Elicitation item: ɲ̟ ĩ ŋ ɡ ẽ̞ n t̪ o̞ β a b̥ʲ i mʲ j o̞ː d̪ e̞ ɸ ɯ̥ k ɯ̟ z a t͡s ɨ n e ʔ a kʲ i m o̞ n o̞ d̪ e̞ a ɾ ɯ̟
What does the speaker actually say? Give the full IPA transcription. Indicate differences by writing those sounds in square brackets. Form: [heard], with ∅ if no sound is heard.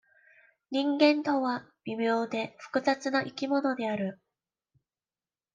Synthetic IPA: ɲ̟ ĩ ŋ ɡ ẽ̞ n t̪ o̞ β a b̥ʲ i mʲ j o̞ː d̪ e̞ ɸ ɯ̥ k ɯ̟ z a t͡s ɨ n [a] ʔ [i] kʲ i m o̞ n o̞ d̪ e̞ a ɾ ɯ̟

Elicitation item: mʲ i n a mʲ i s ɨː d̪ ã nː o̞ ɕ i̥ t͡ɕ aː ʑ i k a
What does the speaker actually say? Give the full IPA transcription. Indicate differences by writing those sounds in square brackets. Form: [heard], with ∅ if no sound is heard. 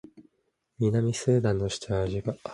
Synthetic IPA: mʲ i n a mʲ i s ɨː d̪ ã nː o̞ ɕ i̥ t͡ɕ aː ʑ i [ɡ] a

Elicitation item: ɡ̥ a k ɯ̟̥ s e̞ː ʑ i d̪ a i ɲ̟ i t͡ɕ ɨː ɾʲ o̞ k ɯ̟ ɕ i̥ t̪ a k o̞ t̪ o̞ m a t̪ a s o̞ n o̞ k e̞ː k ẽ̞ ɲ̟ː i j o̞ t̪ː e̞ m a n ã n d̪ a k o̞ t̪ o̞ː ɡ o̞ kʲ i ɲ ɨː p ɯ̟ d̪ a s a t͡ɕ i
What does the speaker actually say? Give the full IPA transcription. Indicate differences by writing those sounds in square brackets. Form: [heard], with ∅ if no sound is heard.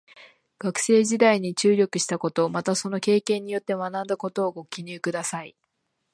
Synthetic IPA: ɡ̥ a k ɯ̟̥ s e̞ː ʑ i d̪ a i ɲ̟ i t͡ɕ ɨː ɾʲ o̞ k ɯ̟ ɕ i̥ t̪ a k o̞ t̪ o̞ m a t̪ a s o̞ n o̞ k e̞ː k ẽ̞ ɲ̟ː i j o̞ t̪ː e̞ m a n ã n d̪ a k o̞ t̪ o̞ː ɡ o̞ kʲ i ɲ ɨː [k] ɯ̟ d̪ a s a [∅] i

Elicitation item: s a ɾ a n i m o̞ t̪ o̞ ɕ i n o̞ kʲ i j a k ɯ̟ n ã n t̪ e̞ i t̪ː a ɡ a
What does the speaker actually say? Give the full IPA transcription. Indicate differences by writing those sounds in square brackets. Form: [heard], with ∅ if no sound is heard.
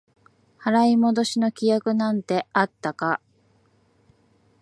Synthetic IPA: [h] a ɾ a [∅] i m o̞ [d̪] o̞ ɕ i n o̞ kʲ i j a k ɯ̟ n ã n t̪ e̞ [a] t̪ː a [k] a

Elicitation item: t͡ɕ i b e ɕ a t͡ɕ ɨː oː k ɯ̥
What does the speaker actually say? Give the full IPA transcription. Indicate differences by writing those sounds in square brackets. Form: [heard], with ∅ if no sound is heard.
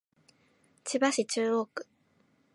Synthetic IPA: t͡ɕ i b [a] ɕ [i] t͡ɕ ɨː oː k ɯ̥

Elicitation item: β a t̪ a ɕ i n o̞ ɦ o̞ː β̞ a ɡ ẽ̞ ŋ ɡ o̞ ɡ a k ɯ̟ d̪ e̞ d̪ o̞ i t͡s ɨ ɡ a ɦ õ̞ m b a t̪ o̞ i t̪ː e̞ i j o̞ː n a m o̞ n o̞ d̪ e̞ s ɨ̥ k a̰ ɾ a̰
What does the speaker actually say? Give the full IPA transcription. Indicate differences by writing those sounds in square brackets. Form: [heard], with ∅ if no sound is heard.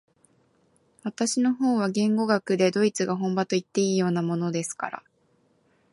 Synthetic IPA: β a t̪ a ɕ i n o̞ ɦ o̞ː β̞ a ɡ ẽ̞ ŋ ɡ o̞ ɡ a k ɯ̟ d̪ e̞ d̪ o̞ i t͡s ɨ ɡ a ɦ õ̞ m b a t̪ o̞ i t̪ː e̞ [iː] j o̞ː n a m o̞ n o̞ d̪ e̞ s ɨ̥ k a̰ ɾ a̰

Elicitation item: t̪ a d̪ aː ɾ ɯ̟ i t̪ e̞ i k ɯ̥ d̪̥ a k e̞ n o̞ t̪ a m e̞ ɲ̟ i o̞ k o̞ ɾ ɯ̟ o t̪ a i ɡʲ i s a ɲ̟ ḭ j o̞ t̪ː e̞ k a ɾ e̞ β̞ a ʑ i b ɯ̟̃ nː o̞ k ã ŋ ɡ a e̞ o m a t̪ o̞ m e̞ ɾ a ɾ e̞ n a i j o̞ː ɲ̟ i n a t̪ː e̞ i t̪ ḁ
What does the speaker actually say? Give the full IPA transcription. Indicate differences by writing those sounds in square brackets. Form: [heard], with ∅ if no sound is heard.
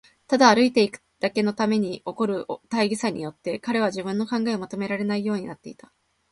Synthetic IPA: t̪ a d̪ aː ɾ ɯ̟ i t̪ e̞ i k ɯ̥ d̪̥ a k e̞ n o̞ t̪ a m e̞ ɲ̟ i o̞ k o̞ ɾ ɯ̟ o t̪ a i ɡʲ i s a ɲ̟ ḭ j o̞ t̪ː e̞ k a ɾ e̞ β̞ a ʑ i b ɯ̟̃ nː o̞ k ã ŋ ɡ a e̞ o m a t̪ o̞ m e̞ ɾ a ɾ e̞ n a i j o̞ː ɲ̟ i n a t̪ː e̞ i t̪ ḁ

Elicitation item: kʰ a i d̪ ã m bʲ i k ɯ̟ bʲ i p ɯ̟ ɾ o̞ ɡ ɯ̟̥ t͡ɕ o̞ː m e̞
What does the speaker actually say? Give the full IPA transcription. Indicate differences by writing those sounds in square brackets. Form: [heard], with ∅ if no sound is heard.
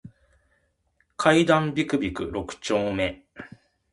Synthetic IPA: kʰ a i d̪ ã m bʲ i k ɯ̟ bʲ i [k] ɯ̟ ɾ o̞ [k] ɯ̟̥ t͡ɕ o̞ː m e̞

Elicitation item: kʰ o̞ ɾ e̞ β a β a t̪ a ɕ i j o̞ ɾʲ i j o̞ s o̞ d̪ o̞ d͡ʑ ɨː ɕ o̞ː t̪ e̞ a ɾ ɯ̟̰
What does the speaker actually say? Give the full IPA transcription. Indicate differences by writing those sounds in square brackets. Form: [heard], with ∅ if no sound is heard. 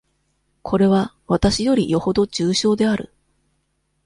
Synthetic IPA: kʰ o̞ ɾ e̞ β a β a t̪ a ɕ i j o̞ ɾʲ i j o̞ [h] o̞ d̪ o̞ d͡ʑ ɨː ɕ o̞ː [d̪] e̞ a ɾ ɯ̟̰

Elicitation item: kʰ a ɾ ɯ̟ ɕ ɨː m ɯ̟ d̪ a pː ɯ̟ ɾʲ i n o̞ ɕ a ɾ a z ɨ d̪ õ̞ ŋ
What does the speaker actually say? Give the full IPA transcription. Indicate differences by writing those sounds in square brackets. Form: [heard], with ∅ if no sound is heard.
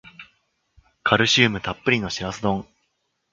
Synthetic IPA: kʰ a ɾ ɯ̟ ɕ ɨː m ɯ̟ [t̪] a pː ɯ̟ ɾʲ i n o̞ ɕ [i] ɾ a [s] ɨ d̪ õ̞ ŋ

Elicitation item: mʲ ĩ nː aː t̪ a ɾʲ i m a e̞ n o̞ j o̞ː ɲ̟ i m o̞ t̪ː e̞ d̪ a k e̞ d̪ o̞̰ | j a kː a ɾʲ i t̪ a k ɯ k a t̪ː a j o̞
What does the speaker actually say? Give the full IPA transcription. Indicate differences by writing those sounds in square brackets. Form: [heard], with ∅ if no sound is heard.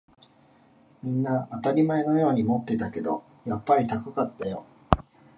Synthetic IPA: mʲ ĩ nː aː t̪ a ɾʲ i m a e̞ n o̞ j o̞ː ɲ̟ i m o̞ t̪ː e̞ [t̪] a k e̞ d̪ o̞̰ | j a [pː] a ɾʲ i t̪ a k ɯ k a t̪ː a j o̞

